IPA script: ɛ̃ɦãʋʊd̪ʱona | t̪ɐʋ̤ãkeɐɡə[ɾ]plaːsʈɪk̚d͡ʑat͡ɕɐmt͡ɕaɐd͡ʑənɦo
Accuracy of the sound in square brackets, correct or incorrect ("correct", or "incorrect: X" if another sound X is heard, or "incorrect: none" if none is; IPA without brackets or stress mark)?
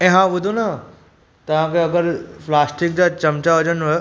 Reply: correct